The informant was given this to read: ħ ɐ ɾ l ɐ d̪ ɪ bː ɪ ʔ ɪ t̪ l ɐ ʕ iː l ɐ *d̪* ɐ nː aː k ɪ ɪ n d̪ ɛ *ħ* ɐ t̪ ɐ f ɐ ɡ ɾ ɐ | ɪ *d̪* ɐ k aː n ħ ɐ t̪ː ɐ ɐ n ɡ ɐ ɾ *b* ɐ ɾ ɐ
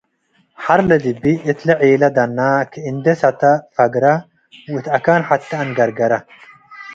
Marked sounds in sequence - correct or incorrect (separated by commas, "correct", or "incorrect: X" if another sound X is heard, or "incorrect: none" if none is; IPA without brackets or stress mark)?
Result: correct, incorrect: s, incorrect: t̪, incorrect: ɡ